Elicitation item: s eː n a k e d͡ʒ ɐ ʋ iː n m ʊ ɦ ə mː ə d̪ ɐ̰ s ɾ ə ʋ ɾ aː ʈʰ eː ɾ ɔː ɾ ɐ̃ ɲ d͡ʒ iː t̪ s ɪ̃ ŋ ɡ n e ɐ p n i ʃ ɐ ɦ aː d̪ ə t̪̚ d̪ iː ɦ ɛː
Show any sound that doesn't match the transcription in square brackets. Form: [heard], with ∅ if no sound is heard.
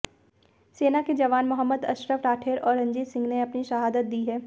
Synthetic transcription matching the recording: s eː n a k e d͡ʒ ɐ ʋ [aː] n m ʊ ɦ ə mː ə d̪ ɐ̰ [ʃ] ɾ ə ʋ ɾ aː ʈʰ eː ɾ ɔː ɾ ɐ̃ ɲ d͡ʒ iː t̪ s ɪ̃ ŋ ɡ n e ɐ p n i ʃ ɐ ɦ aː d̪ ə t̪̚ d̪ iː ɦ ɛː